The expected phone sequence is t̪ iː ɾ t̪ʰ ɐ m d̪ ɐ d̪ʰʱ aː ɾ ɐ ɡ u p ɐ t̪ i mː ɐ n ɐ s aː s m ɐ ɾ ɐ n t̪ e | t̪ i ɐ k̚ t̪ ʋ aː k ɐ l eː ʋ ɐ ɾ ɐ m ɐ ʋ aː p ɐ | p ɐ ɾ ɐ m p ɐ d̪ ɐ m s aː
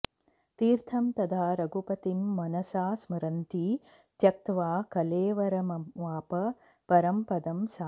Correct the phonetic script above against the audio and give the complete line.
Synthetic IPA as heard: t̪ iː ɾ t̪ʰ ɐ m t̪ ɐ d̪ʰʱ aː ɾ ɐ ɡ u p ɐ t̪ i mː ɐ n ɐ s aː s m ɐ ɾ ɐ n t̪ i | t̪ j ɐ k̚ t̪ ʋ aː k ɐ l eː ʋ ɐ ɾ ɐ m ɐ ʋ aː p ɐ | p ɐ ɾ ɐ m p ɐ d̪ ɐ m s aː